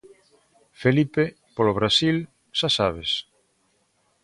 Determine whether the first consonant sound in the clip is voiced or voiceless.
voiceless